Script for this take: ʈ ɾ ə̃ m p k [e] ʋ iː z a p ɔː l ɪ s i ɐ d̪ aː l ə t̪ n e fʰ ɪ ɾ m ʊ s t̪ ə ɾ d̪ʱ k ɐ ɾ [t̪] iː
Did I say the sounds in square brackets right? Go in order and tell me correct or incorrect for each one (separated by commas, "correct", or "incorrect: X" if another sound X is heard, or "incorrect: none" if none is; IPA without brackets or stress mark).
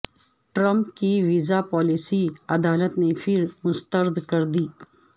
incorrect: i, incorrect: d̪